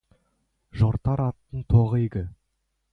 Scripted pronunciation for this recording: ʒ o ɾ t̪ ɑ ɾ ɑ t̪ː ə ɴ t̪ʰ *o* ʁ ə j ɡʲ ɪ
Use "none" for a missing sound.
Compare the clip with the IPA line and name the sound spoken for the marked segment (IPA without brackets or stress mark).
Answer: o